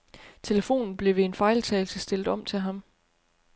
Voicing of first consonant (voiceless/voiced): voiceless